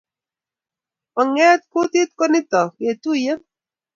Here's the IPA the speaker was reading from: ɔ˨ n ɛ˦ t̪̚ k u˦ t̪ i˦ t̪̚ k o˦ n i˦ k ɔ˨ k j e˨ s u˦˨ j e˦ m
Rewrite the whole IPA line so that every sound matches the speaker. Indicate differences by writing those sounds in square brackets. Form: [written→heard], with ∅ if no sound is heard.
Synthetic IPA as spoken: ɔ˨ [n→ŋ] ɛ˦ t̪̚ k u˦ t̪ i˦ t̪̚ k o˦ n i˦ [k→t] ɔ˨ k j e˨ [s→t] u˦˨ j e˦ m

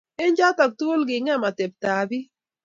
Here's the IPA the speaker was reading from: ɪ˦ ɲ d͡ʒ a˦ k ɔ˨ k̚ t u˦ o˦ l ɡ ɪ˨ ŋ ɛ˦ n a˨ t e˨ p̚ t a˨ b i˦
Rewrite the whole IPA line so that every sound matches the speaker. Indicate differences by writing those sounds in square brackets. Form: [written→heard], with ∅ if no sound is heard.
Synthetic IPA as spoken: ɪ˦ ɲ d͡ʒ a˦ [k→t] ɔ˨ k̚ t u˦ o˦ l ɡ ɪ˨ ŋ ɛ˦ [n→m] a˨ t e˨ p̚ t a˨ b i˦

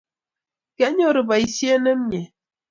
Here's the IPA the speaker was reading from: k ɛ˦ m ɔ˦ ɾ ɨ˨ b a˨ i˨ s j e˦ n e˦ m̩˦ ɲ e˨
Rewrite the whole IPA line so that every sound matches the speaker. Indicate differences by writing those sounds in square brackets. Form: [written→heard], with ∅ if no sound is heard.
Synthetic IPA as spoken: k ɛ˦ [m→ɲ] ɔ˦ ɾ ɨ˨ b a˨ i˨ s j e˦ n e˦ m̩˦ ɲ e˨

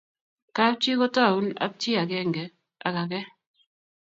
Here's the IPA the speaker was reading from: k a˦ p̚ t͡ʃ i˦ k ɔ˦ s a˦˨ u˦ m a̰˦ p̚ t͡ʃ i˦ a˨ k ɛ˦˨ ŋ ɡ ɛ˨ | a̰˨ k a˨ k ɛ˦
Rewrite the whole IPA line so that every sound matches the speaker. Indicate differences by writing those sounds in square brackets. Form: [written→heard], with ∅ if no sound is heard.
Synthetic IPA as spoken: k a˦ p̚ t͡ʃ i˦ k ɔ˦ [s→t] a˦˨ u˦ [m→n] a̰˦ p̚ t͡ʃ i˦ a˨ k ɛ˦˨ ŋ ɡ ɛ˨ | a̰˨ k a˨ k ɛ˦

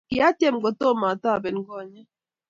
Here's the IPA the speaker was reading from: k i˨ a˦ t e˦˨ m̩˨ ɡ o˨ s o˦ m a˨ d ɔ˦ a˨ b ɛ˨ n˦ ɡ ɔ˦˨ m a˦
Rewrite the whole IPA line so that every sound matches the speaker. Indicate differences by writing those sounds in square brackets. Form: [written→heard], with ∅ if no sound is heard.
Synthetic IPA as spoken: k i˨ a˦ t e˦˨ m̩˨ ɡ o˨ [s→t] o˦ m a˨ [d→t] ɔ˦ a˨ b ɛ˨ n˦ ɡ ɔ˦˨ [m→ɲ] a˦

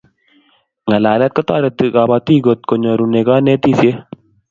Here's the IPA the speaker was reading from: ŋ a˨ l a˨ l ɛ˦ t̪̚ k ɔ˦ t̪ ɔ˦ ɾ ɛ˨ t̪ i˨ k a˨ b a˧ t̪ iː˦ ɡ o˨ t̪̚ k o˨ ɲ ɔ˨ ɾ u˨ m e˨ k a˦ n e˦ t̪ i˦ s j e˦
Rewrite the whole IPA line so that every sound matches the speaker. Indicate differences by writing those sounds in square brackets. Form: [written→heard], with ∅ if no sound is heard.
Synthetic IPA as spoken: ŋ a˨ l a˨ l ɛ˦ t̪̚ k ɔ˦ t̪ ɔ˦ ɾ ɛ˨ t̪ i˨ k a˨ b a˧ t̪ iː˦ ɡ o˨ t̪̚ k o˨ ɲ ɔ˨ ɾ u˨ [m→n] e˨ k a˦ n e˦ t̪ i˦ s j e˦

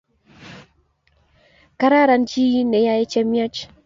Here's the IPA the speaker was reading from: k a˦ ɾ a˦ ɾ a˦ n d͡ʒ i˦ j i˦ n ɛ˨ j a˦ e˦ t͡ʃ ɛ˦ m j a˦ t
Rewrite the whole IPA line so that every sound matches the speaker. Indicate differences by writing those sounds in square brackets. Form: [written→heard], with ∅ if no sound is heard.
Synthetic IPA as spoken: k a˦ ɾ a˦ ɾ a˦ n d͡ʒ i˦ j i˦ n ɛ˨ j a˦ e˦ t͡ʃ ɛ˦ m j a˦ [t→t͡ʃ]

